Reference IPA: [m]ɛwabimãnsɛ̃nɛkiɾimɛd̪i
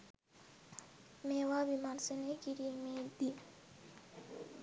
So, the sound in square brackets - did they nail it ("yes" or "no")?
yes